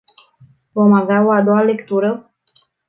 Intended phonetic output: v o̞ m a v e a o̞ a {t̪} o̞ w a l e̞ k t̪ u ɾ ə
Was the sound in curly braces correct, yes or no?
no